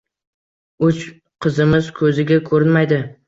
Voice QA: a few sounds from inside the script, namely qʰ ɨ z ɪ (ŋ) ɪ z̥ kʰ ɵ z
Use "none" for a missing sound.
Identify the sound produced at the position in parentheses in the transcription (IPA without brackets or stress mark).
m